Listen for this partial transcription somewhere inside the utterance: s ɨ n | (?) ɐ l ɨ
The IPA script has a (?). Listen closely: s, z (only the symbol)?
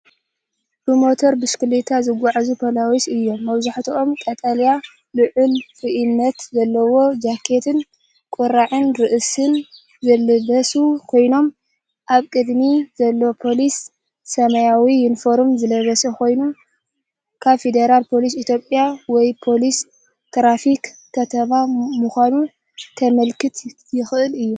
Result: z